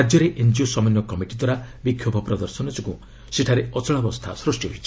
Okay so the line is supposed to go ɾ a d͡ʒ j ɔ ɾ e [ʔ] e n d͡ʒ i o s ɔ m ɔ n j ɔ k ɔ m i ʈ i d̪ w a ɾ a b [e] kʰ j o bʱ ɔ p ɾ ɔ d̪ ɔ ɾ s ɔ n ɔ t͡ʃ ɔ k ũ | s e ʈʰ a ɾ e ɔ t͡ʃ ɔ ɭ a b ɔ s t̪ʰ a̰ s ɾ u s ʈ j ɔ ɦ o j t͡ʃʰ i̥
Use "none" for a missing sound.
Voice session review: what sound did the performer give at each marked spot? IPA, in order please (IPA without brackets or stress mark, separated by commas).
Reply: ʔ, i